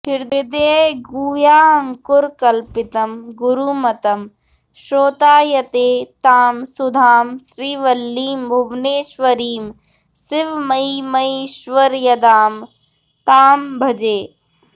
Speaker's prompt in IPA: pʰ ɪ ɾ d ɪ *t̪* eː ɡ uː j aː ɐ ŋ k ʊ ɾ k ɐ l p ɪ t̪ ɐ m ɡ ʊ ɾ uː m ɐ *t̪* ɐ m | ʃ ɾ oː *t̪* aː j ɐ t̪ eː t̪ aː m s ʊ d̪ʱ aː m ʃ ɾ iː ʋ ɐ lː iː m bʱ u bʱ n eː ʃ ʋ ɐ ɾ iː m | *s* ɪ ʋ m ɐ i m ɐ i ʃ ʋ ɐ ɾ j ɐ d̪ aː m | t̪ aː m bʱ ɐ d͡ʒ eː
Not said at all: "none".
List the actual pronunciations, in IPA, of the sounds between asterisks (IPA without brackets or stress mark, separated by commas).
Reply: d̪, t̪, t̪, s